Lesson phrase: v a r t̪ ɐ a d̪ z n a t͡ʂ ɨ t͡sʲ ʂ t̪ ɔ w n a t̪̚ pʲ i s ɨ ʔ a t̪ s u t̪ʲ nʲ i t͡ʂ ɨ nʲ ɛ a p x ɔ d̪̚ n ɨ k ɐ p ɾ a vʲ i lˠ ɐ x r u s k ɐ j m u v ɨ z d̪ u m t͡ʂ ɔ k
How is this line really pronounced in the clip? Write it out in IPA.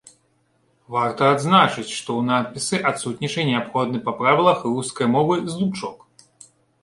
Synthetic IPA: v a r t̪ ɐ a d̪ z n a t͡ʂ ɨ t͡sʲ ʂ t̪ ɔ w n a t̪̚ pʲ i s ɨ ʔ a t̪ s u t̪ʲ nʲ i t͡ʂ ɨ nʲ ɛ a p x ɔ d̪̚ n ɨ p ɐ p ɾ a vʲ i lˠ ɐ x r u s k ɐ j m ɔ v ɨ z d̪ u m t͡ʂ ɔ k